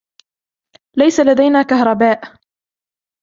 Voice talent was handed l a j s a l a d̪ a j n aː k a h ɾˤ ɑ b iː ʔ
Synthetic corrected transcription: l a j s a l a d̪ a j n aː k a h ɾˤ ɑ b aː ʔ